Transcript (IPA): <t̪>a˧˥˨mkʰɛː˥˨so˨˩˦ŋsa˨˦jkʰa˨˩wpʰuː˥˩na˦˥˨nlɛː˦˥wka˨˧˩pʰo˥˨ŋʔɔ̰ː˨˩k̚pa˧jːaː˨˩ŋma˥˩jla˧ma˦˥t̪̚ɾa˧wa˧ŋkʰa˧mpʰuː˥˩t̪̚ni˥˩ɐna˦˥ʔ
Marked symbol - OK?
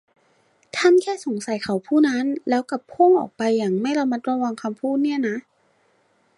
no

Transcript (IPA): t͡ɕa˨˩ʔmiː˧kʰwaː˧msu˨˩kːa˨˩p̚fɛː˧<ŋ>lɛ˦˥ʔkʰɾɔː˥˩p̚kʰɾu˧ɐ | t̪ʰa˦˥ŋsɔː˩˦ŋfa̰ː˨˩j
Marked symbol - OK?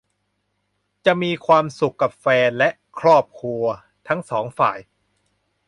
no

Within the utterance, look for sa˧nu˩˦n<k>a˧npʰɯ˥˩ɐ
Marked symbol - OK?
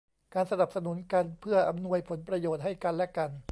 yes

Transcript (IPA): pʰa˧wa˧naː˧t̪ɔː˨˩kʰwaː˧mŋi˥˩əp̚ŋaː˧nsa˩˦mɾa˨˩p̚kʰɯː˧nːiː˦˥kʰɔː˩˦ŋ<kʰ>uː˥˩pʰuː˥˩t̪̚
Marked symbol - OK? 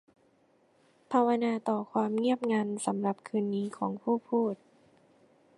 no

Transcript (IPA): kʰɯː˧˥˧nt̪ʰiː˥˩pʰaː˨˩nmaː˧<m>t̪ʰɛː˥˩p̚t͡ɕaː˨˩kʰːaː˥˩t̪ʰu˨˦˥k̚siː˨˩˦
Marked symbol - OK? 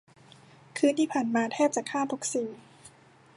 no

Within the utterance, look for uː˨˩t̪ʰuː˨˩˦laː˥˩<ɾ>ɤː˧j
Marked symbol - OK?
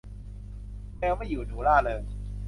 no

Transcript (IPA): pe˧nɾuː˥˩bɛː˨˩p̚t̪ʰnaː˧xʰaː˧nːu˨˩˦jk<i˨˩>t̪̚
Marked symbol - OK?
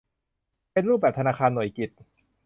yes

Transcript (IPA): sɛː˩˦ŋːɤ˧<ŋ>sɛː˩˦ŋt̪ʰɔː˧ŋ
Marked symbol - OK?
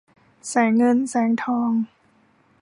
no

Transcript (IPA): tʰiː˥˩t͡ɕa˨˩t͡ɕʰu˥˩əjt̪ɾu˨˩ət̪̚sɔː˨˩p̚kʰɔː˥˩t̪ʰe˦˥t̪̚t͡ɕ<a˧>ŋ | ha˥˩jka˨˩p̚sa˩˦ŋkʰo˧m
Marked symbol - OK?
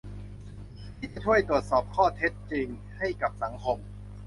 no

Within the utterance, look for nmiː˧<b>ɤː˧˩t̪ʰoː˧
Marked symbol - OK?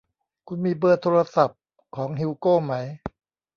yes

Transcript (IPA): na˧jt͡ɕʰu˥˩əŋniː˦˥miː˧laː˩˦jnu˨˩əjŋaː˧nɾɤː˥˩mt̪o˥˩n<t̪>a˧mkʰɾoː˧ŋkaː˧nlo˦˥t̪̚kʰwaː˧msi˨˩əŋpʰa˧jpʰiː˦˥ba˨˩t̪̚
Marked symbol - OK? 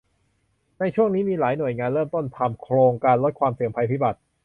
no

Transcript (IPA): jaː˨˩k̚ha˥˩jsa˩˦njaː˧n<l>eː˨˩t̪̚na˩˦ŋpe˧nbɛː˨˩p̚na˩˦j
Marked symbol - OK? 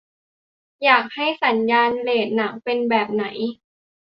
yes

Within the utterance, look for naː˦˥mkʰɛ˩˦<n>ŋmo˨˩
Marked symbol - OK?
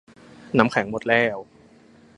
no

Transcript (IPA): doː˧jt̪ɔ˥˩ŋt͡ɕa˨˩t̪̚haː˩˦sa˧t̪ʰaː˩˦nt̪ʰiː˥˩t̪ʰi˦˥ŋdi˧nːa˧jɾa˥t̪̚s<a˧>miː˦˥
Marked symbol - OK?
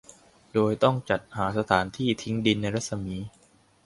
yes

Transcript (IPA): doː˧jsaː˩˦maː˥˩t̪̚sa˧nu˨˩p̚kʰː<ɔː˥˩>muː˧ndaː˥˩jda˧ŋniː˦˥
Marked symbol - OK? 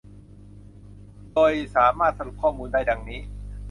yes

